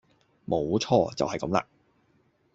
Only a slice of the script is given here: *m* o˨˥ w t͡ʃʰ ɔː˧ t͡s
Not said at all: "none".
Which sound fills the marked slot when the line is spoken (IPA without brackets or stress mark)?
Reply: m